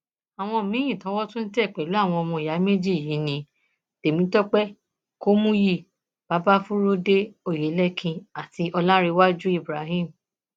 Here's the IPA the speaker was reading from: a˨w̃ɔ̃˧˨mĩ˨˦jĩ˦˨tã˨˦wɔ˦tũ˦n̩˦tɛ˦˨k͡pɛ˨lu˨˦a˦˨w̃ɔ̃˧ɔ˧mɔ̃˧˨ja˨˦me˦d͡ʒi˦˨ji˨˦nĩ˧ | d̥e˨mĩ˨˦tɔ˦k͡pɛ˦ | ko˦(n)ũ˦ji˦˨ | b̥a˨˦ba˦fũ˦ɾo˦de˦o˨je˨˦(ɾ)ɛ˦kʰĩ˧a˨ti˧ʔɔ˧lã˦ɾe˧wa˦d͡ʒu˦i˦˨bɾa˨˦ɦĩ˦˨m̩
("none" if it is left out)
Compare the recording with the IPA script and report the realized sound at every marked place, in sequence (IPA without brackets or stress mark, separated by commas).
m, l